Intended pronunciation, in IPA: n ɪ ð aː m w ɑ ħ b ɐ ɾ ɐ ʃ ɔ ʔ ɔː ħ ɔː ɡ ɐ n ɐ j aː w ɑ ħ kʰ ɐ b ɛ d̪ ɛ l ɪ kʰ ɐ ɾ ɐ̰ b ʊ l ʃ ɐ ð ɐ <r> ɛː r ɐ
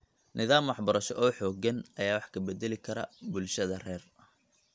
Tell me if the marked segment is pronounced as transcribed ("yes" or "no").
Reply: yes